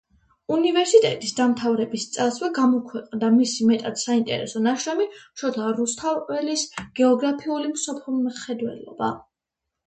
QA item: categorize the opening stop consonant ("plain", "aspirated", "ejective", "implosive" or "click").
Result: ejective